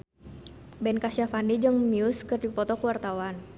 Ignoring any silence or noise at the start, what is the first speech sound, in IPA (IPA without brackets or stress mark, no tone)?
b